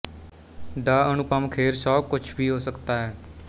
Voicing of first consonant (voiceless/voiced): voiced